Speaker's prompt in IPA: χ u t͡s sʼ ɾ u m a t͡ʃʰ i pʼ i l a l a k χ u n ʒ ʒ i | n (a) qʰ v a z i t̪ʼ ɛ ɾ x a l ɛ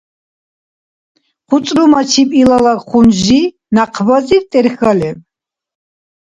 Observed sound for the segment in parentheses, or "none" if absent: a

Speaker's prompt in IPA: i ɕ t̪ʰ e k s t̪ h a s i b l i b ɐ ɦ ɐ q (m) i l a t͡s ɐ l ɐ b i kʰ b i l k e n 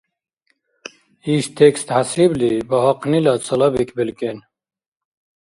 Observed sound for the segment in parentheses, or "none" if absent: n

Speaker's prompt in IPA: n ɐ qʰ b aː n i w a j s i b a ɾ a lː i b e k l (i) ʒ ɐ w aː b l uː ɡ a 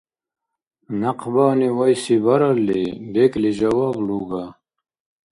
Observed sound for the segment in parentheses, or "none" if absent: i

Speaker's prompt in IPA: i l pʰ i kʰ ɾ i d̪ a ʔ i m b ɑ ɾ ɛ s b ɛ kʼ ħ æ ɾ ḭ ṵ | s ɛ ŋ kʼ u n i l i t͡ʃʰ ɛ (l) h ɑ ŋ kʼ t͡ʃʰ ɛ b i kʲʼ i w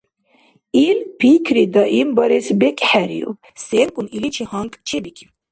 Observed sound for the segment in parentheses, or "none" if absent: none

